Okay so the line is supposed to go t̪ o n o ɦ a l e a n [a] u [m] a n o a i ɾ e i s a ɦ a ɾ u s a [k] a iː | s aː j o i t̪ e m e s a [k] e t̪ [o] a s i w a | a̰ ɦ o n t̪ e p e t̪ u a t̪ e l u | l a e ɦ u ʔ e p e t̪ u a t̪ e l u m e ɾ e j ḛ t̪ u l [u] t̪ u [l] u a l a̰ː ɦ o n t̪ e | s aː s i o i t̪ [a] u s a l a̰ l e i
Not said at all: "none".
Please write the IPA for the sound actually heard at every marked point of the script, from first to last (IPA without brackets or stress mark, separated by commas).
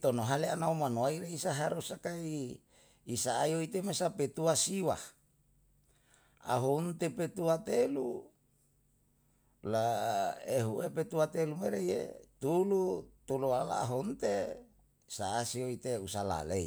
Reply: a, m, k, p, u, u, l, e